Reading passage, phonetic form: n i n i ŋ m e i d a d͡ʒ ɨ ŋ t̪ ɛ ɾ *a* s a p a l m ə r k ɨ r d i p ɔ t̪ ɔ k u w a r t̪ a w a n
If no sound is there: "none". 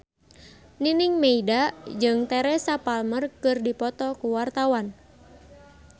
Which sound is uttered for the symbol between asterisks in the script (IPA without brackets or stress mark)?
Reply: ɛ